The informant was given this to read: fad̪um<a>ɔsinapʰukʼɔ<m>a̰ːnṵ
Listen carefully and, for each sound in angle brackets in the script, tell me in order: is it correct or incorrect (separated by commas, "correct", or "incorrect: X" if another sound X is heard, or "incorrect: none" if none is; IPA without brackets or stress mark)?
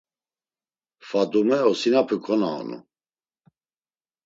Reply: incorrect: ɛ, incorrect: n